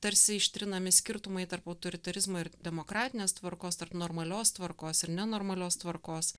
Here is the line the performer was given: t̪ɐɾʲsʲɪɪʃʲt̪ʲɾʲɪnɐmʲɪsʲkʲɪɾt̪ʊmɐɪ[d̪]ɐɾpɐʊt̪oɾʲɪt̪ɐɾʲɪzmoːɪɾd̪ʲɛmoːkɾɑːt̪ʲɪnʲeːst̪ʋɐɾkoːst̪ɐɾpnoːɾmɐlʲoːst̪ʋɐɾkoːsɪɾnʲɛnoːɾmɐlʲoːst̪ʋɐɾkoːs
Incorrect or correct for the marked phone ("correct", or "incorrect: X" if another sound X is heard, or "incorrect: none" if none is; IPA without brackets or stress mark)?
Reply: incorrect: t̪